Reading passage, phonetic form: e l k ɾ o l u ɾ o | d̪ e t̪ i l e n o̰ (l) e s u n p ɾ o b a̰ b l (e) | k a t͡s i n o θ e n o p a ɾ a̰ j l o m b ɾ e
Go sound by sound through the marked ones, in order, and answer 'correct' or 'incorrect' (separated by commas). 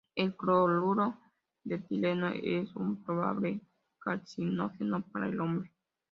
incorrect, correct